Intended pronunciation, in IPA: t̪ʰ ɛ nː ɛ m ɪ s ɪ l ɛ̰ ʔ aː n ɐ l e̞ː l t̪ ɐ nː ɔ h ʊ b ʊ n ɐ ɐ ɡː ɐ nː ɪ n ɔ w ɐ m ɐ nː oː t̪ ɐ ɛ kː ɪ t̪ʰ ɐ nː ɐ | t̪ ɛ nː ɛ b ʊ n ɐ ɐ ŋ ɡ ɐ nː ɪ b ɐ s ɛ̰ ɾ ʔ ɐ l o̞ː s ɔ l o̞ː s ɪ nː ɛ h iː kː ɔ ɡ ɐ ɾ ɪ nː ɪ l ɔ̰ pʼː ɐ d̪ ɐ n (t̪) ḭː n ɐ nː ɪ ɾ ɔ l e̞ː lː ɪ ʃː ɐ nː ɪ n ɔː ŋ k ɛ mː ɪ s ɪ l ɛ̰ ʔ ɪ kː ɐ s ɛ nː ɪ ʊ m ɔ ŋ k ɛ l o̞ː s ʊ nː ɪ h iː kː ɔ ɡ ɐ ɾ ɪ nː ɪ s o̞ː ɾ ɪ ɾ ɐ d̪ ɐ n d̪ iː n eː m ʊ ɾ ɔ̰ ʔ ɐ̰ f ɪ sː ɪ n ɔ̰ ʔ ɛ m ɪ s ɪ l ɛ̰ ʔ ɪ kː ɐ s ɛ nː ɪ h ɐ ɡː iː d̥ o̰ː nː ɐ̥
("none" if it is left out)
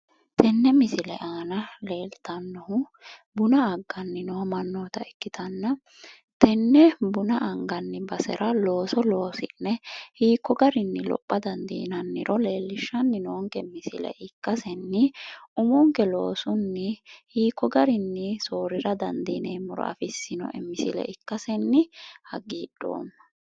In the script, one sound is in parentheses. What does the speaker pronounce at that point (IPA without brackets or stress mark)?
d̪